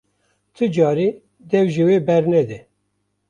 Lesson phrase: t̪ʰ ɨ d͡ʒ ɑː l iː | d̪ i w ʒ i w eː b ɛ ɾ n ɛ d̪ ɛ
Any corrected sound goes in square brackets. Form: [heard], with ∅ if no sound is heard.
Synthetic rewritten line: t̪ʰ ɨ d͡ʒ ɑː [ɾ] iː | d̪ [ɛ] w ʒ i w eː b ɛ ɾ n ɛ d̪ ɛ